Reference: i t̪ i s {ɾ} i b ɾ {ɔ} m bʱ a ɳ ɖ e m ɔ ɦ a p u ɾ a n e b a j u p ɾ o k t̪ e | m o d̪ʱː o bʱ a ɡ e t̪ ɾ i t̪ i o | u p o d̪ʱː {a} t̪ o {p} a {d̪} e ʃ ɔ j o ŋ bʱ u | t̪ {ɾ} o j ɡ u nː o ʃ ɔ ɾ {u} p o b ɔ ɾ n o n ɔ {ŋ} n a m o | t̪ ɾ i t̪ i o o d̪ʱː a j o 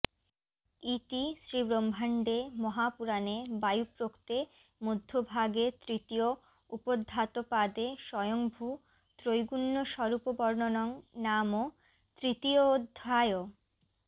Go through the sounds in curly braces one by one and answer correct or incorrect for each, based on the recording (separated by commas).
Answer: correct, incorrect, correct, correct, correct, correct, correct, correct